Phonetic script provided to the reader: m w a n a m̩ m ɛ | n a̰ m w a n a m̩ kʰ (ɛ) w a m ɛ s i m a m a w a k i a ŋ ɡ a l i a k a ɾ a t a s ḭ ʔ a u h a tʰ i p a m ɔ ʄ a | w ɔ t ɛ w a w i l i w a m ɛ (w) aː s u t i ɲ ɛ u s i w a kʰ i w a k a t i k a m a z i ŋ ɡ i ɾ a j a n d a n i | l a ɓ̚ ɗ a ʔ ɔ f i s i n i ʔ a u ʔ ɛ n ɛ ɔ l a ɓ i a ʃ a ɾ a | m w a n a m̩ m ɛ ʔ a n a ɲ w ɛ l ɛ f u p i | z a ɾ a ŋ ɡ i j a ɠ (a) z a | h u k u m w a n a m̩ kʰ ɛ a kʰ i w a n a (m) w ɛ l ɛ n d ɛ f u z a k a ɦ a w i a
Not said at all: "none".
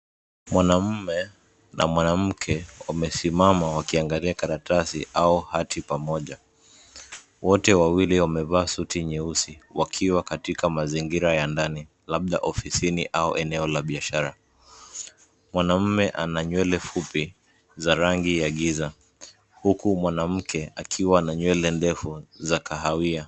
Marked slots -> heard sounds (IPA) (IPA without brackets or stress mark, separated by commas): ɛ, v, i, ɲ